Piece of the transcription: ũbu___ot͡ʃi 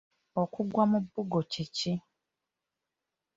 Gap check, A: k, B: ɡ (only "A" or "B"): B